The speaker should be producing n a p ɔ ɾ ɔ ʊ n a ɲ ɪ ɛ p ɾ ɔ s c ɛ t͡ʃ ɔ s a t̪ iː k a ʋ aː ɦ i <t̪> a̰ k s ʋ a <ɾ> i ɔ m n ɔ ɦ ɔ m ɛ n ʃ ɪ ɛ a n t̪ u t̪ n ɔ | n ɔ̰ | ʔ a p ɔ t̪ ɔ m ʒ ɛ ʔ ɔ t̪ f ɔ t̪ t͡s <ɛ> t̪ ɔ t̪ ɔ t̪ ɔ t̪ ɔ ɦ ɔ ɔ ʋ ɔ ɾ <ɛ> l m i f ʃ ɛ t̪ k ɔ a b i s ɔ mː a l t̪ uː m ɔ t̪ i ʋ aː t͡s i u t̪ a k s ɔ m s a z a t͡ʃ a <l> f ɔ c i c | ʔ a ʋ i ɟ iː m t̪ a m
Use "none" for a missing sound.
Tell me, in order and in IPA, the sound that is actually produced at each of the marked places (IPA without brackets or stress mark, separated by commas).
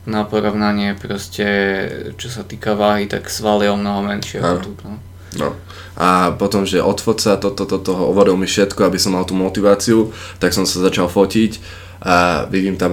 t̪, l, a, i, l